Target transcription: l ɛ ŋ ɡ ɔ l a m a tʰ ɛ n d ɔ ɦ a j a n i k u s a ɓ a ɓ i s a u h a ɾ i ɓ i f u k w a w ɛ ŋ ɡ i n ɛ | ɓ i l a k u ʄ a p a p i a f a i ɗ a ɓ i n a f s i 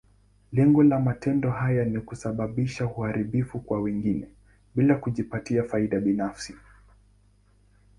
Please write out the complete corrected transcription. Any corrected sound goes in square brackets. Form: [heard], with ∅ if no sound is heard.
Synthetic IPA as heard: l ɛ ŋ ɡ ɔ l a m a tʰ ɛ n d ɔ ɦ a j a n i k u s a ɓ a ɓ i [ʃ] a u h a ɾ i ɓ i f u k w a w ɛ ŋ ɡ i n ɛ | ɓ i l a k u ʄ [i] p a [t] i a f a i ɗ a ɓ i n a f s i